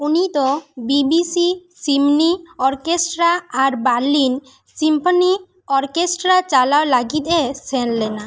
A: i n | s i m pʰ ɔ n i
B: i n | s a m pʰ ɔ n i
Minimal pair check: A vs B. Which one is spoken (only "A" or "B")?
A